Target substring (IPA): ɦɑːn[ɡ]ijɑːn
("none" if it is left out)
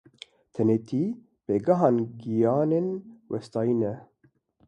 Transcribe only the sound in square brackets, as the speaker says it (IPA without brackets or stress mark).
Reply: ɡ